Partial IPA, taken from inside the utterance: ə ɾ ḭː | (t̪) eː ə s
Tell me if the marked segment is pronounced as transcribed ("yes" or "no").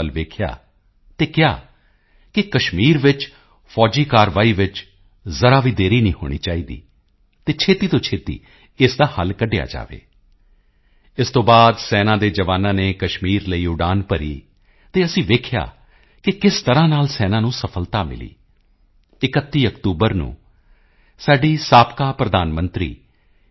yes